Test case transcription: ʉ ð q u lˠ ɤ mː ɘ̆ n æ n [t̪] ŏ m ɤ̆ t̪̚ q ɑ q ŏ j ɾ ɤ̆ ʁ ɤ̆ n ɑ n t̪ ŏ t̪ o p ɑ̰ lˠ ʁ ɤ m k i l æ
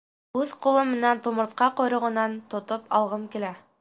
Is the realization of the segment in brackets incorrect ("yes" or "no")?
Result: no